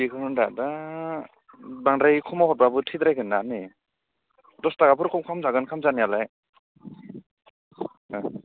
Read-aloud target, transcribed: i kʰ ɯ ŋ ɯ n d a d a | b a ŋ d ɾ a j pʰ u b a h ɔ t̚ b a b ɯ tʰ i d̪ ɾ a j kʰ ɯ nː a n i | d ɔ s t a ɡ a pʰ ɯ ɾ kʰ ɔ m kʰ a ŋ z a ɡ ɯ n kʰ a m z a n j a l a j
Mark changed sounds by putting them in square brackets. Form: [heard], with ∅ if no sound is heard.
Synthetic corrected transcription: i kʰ ɯ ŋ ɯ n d a d a | b a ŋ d ɾ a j [kʰ] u [m] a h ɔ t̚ b a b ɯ tʰ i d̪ ɾ a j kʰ ɯ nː a n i | d ɔ s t a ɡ a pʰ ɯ ɾ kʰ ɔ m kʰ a [m] z a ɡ ɯ n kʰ a m z a n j a l a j